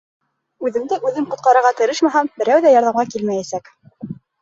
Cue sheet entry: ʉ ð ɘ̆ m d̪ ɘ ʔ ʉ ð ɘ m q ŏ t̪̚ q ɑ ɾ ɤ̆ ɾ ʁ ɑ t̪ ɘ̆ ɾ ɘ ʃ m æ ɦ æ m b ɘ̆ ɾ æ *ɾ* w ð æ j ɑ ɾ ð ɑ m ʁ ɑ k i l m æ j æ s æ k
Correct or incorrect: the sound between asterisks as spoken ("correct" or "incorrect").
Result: incorrect